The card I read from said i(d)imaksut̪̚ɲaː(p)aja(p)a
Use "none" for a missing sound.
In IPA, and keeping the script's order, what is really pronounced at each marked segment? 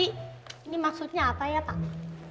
n, p, p

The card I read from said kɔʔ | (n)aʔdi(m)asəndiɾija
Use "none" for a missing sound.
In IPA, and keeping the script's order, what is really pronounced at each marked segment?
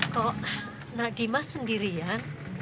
n, m

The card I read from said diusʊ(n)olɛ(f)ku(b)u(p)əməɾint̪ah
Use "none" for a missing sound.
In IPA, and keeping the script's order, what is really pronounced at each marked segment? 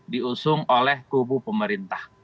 ŋ, h, b, p

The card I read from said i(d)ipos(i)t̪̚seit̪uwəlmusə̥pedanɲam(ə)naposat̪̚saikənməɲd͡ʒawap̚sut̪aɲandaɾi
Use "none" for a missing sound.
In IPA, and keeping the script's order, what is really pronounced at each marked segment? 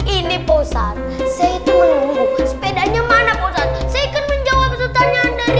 n, a, a

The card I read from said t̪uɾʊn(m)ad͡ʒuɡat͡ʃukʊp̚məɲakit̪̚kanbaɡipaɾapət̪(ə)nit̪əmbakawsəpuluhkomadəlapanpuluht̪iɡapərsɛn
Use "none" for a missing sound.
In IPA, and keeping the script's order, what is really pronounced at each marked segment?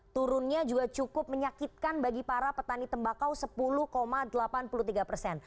ɲ, a

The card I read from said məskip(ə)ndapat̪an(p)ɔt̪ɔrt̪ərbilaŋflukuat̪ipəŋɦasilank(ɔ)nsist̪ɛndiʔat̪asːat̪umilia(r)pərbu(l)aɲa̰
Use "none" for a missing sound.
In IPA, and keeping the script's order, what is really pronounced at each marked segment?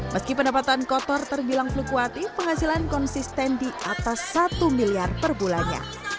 ə, k, ɔ, r, l

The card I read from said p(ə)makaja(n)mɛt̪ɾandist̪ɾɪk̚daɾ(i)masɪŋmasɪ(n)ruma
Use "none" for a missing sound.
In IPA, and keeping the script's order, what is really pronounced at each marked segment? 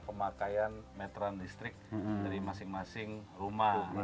ə, n, i, ŋ

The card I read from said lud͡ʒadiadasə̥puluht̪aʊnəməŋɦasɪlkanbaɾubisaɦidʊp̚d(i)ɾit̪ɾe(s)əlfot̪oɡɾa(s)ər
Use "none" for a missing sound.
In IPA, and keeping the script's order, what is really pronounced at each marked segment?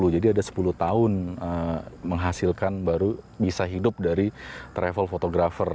a, f, f

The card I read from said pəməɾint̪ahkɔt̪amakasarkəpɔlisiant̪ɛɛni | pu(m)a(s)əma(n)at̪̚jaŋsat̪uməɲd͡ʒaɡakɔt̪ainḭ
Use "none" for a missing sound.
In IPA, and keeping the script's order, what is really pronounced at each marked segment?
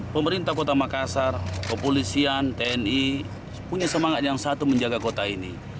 ɲ, s, ŋ

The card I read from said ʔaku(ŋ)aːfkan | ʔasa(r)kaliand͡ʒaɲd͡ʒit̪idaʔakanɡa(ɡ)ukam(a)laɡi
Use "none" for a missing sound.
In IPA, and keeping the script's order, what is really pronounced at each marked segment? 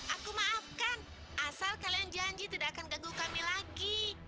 m, l, ɡ, i

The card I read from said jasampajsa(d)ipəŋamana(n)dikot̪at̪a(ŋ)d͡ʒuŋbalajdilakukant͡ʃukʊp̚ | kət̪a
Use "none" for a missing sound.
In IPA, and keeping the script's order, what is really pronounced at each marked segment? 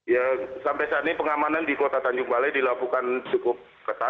n, n, ɲ

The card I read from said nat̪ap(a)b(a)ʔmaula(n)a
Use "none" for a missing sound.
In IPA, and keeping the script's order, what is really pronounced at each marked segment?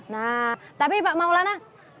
i, a, n

